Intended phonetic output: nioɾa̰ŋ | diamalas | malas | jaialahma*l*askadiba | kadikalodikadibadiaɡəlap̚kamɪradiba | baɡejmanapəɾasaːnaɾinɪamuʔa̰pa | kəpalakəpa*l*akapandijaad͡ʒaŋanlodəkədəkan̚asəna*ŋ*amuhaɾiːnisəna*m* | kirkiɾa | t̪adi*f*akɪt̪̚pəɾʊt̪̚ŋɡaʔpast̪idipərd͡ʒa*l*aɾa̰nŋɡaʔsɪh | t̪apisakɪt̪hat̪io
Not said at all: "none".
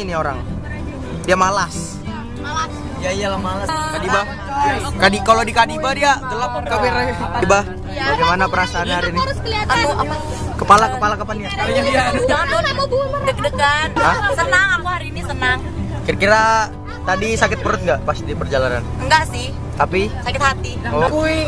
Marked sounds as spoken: l, l, ŋ, ŋ, s, l

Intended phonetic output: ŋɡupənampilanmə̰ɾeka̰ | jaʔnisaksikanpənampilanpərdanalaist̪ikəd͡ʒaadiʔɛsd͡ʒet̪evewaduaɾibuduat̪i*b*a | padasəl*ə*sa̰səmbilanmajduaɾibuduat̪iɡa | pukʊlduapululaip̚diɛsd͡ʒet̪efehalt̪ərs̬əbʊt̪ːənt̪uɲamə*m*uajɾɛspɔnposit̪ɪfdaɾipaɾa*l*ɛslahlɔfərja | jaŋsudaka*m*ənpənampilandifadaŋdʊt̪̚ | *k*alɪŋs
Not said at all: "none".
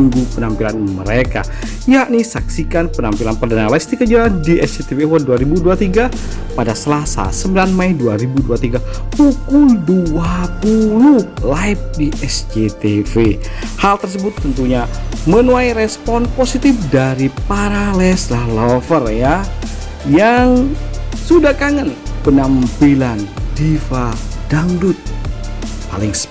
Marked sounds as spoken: ɡ, a, n, l, ŋ, p

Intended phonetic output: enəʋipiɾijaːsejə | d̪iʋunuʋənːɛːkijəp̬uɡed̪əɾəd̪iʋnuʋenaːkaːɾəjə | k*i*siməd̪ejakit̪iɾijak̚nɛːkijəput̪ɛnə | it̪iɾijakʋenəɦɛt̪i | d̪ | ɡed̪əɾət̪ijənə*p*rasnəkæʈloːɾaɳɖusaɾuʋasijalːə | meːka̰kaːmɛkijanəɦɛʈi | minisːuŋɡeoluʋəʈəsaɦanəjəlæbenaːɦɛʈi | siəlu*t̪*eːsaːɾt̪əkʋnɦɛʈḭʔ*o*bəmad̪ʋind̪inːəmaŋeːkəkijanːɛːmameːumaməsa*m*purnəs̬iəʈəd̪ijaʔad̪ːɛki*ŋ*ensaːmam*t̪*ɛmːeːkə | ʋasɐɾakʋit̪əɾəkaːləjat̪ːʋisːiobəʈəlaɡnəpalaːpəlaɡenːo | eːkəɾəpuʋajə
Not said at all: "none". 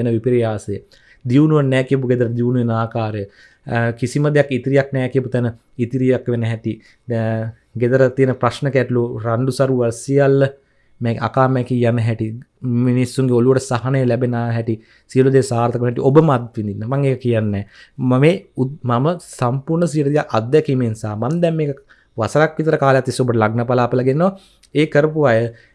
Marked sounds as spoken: i, p, d̪, o, m, m, d̪

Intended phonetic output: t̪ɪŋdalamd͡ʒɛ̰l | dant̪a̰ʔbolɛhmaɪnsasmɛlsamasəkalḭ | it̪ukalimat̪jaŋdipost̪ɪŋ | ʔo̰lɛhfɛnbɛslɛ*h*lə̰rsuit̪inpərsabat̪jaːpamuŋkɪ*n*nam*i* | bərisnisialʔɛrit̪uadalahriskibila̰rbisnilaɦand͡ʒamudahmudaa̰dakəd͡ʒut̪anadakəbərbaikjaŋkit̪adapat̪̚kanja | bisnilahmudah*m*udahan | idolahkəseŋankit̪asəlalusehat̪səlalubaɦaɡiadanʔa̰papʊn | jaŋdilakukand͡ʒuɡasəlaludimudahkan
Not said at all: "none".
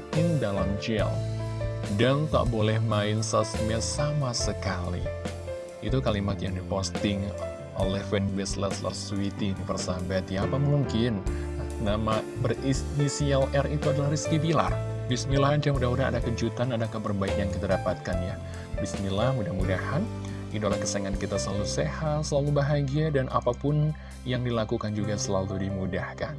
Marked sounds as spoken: s, n, a, m

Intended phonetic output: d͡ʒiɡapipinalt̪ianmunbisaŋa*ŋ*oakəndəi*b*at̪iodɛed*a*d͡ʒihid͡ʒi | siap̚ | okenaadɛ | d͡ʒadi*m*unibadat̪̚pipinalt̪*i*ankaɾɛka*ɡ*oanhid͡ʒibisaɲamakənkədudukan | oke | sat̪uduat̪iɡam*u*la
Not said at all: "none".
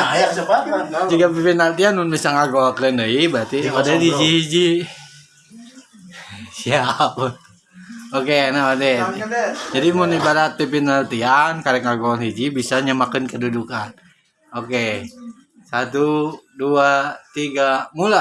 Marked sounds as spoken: ɡ, b, i, m, i, ɡ, u

